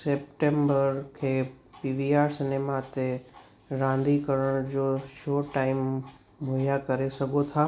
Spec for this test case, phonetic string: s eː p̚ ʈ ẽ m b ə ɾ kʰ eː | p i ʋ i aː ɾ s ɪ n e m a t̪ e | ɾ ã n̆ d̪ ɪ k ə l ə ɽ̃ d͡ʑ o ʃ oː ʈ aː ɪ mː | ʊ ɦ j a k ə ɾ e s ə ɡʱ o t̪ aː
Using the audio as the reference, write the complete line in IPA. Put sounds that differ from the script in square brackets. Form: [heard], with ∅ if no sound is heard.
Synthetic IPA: s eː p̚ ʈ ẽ m b ə ɾ kʰ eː | p i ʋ i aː ɾ s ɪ n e m a t̪ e | ɾ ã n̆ d̪ [i] k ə [ɾ] ə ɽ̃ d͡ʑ o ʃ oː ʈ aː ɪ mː | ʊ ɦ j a k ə ɾ e s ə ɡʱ o [t̪ʰ] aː